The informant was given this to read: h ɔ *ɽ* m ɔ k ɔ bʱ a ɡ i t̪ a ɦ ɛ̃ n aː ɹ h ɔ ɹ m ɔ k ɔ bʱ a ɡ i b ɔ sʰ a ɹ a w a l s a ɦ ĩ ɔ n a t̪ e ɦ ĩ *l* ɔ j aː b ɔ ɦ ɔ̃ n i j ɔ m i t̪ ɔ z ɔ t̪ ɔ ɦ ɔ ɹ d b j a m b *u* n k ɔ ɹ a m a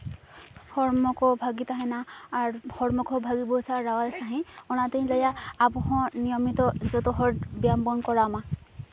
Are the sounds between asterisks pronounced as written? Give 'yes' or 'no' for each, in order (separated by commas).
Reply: no, yes, no